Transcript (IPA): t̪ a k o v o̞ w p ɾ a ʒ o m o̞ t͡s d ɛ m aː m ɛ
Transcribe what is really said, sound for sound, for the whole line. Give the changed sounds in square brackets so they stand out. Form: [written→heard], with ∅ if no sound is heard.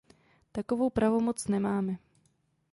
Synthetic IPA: t̪ a k o v o̞ w p ɾ a [ʒ→v] o m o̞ t͡s [d→n] ɛ m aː m ɛ